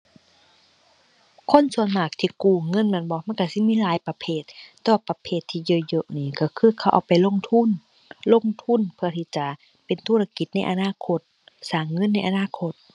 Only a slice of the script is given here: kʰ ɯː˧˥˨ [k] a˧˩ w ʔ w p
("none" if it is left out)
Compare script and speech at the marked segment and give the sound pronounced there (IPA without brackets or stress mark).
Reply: kʰ